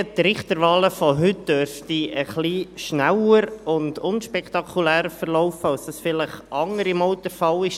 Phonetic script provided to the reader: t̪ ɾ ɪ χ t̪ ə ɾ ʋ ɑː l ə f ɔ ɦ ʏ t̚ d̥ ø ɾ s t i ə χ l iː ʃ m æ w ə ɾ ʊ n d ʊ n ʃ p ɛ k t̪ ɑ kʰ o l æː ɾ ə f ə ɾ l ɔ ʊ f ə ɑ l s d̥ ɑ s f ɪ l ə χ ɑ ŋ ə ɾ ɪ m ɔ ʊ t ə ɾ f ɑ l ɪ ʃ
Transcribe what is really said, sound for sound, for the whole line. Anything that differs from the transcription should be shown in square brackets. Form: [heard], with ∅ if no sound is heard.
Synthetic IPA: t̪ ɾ ɪ χ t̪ ə ɾ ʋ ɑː l ə f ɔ ɦ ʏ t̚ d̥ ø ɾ [f] t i ə χ l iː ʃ [n] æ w ə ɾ ʊ n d ʊ n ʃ p ɛ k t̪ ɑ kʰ [u] l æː ɾ ə f ə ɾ l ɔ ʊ f ə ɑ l s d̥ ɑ s f ɪ l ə χ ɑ ŋ ə ɾ ɪ m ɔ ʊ t ə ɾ f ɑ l ɪ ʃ